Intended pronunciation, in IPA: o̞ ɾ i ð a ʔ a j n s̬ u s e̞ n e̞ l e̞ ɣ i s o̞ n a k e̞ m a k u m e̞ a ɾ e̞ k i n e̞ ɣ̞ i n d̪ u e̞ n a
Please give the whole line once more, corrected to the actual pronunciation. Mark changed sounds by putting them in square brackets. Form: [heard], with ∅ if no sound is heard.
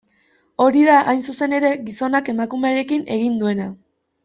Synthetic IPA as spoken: o̞ ɾ i ð a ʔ a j n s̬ u s e̞ n e̞ [ɾ] e̞ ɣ i s o̞ n a k e̞ m a k u m e̞ a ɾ e̞ k i n e̞ ɣ̞ i n d̪ u e̞ n a